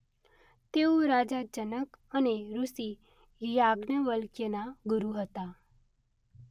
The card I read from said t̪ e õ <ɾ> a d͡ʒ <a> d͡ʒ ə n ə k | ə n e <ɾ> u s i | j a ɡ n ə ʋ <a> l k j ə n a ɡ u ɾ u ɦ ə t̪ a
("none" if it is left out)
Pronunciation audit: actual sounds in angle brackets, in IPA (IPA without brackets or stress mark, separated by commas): ɾ, a, ɾ, ə